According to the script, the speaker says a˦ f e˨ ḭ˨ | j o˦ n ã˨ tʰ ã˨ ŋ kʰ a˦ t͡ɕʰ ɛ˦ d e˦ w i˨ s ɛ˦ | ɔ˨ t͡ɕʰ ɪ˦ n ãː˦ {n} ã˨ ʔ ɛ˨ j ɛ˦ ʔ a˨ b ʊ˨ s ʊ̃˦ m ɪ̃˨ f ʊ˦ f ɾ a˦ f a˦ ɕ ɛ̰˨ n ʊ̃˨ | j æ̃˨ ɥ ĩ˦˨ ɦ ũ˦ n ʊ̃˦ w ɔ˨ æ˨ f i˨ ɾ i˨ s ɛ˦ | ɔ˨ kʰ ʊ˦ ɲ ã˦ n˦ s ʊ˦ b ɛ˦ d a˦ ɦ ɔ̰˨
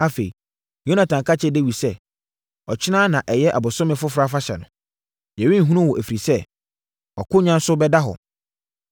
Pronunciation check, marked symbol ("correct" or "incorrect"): correct